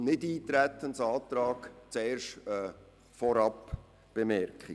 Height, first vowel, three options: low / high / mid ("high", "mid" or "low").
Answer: high